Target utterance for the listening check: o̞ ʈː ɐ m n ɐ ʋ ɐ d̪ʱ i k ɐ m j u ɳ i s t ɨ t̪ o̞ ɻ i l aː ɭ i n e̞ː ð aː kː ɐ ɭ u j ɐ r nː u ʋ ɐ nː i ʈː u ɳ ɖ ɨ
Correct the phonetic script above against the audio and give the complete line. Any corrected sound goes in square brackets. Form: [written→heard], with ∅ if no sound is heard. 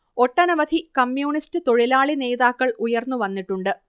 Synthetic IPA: o̞ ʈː ɐ [m→∅] n ɐ ʋ ɐ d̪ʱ i k ɐ m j [u→uː] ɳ i s t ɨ t̪ o̞ ɻ i l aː ɭ i n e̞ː ð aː kː ɐ ɭ u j ɐ r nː u ʋ ɐ nː i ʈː u ɳ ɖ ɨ